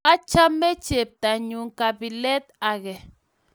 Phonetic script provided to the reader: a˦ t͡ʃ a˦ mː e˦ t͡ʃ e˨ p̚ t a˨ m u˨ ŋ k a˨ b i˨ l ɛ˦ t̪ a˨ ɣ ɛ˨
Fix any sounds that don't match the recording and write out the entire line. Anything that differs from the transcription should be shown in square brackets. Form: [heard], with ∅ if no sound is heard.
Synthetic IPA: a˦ t͡ʃ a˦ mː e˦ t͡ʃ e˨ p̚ t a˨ [ɲ] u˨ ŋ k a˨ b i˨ l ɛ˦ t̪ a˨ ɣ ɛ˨